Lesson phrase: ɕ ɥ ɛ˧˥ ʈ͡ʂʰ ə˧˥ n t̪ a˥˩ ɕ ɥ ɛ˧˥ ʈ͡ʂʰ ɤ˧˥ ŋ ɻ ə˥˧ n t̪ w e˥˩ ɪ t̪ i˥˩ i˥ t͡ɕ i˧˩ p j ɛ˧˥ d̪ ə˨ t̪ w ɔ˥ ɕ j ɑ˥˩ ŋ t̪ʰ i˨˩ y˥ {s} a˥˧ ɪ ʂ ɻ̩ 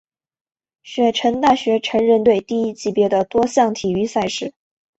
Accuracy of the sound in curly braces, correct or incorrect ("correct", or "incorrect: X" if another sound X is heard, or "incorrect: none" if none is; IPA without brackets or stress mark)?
correct